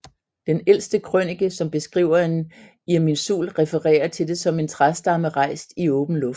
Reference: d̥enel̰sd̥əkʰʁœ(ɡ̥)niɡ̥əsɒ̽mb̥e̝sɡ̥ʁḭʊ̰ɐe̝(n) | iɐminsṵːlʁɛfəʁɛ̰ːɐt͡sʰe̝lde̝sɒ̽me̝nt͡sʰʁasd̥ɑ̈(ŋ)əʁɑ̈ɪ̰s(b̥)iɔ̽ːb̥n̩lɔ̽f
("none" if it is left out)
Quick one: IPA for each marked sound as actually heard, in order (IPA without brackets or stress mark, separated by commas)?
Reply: none, n, m, d̥